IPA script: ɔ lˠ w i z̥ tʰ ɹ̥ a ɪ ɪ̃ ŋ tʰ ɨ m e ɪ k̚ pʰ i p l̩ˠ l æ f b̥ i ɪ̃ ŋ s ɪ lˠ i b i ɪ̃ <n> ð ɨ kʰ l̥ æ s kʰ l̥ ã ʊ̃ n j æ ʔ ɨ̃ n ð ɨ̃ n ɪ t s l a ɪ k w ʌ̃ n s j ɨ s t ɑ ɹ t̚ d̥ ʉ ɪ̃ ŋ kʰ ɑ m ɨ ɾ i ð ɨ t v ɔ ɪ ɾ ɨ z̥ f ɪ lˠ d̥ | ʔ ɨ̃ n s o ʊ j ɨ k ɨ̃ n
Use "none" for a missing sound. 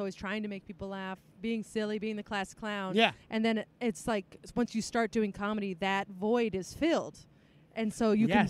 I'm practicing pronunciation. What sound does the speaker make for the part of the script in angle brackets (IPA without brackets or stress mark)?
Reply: ŋ